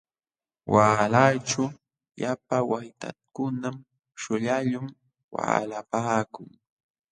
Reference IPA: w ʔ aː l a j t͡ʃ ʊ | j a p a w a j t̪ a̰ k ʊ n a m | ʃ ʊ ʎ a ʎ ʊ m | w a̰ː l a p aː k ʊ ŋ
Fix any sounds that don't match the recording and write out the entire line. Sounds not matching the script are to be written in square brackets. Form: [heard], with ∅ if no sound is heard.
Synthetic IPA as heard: w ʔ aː l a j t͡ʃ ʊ | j a p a w a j t̪ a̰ k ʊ n a m | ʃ ʊ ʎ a ʎ ʊ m | w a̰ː l a p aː k ʊ ŋ